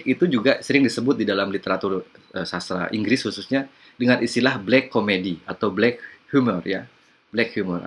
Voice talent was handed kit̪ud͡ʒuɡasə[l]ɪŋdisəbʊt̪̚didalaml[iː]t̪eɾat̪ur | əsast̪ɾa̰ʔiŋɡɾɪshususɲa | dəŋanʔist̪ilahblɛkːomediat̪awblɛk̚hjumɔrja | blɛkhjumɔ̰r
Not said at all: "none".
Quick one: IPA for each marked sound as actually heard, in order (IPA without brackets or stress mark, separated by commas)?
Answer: ɾ, i